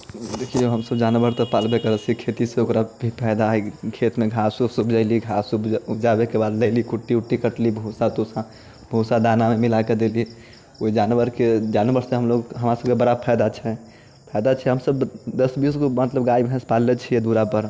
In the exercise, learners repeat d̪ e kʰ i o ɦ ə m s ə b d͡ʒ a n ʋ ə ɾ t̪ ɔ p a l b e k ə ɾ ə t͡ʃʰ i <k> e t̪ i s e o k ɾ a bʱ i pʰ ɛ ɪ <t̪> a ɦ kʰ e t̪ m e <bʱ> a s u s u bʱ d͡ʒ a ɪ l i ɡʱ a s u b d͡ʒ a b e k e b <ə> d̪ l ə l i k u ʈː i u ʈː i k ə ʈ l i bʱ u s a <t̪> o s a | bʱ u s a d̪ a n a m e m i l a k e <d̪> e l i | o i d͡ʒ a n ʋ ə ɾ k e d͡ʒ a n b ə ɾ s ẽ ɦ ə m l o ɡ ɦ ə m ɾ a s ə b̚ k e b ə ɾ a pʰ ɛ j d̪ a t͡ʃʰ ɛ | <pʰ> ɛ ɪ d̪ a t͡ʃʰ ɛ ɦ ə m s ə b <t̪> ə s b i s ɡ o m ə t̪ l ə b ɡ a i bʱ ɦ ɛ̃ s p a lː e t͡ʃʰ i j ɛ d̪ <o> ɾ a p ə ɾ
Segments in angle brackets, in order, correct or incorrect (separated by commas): incorrect, incorrect, incorrect, incorrect, correct, correct, correct, incorrect, incorrect